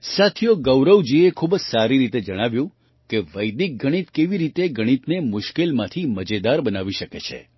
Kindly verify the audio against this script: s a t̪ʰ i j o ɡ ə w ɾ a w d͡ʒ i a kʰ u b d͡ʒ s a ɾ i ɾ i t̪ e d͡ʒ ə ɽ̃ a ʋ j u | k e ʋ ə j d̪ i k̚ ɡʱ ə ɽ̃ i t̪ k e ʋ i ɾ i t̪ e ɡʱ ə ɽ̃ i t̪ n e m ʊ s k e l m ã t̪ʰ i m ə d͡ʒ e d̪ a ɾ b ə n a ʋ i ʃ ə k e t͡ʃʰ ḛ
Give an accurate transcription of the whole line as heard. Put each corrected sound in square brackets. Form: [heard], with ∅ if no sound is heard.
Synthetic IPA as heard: s a t̪ʰ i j o ɡ ə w ɾ [ə] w d͡ʒ i [e] kʰ u b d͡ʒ s a ɾ i ɾ i t̪ e d͡ʒ ə ɽ̃ a ʋ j [ũ] | k e ʋ ə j d̪ i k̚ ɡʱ ə ɽ̃ i t̪ k e ʋ i ɾ i t̪ e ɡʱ ə ɽ̃ i t̪ n e m ʊ [ʃ] k e l m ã t̪ʰ i m ə d͡ʒ e d̪ a ɾ b ə n a ʋ i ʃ ə k e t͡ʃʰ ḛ